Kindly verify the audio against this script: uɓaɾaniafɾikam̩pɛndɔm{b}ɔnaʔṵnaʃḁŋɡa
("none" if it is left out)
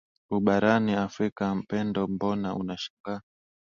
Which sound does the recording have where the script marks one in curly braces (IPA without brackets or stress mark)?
b